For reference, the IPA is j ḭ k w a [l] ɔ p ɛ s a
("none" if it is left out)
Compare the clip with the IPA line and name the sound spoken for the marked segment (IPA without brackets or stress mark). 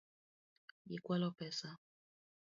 l